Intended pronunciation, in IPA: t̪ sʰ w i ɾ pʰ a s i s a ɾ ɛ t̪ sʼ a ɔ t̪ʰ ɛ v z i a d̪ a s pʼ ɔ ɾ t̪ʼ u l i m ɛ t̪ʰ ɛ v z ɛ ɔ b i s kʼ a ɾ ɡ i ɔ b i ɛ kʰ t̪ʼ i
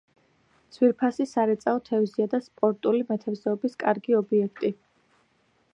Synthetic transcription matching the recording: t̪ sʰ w i ɾ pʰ a s i s a ɾ ɛ t̪ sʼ a ɔ t̪ʰ ɛ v z i a d̪ a s pʼ ɔ ɾ t̪ʼ u l i m ɛ t̪ʰ ɛ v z ɛ ɔ b i s kʼ a ɾ ɡ i ɔ b i ɛ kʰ t̪ʼ i